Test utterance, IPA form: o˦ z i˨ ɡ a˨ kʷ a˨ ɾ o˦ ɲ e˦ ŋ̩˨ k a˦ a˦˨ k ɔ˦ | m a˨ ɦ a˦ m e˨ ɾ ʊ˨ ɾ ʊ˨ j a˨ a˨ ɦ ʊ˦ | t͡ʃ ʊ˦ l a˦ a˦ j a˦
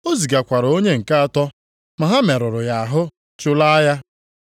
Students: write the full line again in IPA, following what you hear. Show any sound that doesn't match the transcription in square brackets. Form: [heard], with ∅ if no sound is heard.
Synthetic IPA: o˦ z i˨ ɡ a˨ kʷ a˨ ɾ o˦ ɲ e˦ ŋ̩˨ k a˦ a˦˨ [t] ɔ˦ | m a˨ ɦ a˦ m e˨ ɾ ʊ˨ ɾ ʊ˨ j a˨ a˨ ɦ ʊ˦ | t͡ʃ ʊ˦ l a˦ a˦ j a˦